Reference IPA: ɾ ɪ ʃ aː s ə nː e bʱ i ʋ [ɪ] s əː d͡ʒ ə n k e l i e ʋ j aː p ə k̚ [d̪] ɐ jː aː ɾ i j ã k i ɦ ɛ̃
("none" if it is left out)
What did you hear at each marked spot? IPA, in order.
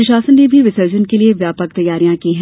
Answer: ɪ, t̪

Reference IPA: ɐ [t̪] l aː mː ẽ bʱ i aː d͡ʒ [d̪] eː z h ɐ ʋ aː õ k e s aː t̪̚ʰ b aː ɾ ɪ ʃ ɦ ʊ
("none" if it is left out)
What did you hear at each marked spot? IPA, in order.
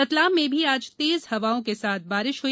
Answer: t̪, t̪

